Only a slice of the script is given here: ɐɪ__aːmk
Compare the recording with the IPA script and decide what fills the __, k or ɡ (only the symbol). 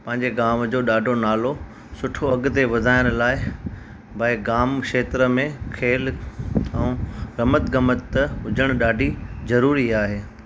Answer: ɡ